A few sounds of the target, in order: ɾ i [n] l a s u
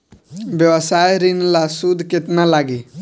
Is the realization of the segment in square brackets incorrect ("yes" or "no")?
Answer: no